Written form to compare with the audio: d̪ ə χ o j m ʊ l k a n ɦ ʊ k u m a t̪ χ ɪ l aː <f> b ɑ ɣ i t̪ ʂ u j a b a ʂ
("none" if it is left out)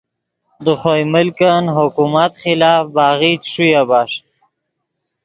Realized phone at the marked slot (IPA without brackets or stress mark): f